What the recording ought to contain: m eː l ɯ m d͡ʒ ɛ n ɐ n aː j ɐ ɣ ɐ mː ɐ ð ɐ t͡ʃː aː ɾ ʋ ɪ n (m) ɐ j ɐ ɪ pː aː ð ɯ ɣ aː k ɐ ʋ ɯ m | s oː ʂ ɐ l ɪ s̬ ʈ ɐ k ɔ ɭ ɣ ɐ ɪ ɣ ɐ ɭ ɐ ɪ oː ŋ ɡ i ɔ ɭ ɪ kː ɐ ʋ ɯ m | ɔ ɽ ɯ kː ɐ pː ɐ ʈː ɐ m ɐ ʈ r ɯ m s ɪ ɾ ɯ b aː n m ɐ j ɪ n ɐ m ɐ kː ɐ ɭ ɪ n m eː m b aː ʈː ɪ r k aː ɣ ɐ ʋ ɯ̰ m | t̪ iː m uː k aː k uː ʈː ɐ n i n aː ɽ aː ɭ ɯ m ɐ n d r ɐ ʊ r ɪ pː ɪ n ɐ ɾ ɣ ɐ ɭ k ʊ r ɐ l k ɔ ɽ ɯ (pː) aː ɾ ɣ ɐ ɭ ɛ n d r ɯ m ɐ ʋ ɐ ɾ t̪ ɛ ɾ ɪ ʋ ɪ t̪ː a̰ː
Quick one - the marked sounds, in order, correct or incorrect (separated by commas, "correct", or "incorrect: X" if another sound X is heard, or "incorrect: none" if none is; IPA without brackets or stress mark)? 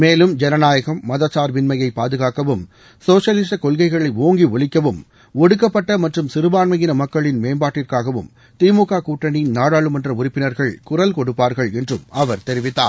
correct, correct